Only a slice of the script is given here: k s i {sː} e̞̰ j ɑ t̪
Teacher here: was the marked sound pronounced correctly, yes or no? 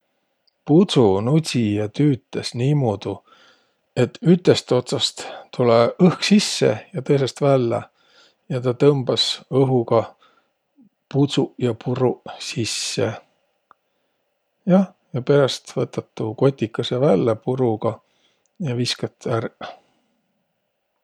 yes